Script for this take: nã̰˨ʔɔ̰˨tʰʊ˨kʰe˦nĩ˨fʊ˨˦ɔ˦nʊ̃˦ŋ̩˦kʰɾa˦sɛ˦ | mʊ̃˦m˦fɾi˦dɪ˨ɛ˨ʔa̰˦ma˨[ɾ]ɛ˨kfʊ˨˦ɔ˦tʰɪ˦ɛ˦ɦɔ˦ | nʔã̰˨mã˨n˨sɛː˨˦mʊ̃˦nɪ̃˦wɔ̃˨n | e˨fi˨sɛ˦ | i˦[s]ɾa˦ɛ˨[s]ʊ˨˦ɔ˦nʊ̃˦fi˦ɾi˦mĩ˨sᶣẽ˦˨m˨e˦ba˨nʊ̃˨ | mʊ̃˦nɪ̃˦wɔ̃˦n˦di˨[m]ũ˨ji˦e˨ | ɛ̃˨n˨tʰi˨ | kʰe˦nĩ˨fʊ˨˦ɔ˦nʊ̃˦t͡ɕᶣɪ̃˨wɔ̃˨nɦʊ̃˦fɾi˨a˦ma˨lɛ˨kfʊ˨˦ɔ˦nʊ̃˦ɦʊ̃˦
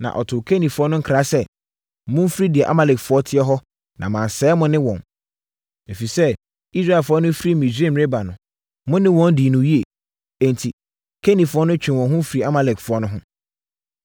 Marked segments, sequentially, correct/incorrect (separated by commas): incorrect, correct, incorrect, incorrect